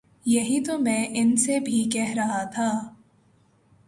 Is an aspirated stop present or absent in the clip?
present